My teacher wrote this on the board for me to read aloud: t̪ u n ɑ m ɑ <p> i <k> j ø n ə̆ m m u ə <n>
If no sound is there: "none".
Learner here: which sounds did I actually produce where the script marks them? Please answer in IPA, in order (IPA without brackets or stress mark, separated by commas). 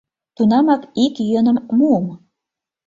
k, k, m